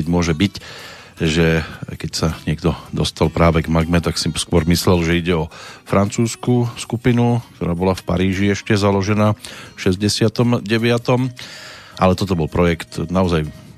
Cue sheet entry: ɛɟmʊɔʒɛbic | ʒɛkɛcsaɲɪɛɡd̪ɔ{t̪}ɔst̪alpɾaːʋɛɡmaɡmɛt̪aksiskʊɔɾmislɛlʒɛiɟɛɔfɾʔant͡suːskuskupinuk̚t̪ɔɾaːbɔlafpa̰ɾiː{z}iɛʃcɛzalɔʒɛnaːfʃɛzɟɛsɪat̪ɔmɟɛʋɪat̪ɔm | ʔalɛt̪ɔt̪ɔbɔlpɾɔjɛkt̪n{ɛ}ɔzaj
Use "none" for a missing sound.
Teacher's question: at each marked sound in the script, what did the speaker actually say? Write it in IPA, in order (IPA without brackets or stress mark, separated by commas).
d̪, ʒ, a